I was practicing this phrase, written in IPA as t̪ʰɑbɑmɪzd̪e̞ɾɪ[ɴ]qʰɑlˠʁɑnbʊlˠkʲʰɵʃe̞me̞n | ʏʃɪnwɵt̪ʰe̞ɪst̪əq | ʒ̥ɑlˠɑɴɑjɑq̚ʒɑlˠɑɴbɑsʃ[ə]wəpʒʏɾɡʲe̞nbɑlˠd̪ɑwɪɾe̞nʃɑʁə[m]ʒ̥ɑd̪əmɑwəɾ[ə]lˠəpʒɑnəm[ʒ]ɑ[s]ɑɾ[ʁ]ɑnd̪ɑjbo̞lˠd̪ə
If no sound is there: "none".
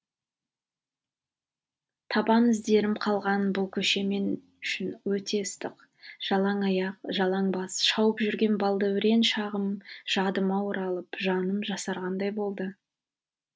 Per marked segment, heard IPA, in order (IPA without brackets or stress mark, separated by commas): m, ɑ, m, ɑ, ʒ, s, ʁ